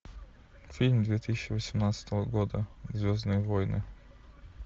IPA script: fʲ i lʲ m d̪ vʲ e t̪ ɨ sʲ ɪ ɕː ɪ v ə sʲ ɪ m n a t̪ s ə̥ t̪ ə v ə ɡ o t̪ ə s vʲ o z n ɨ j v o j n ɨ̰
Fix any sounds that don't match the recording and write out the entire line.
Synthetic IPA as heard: fʲ i lʲ m d̪ vʲ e t̪ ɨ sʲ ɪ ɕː ɪ v ə sʲ ɪ m n a t̪ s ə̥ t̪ ə v ə ɡ o d̪ ə z vʲ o z n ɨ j v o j n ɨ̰